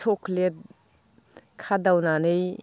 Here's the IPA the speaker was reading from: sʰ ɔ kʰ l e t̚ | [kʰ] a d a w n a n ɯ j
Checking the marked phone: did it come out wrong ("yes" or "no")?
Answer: no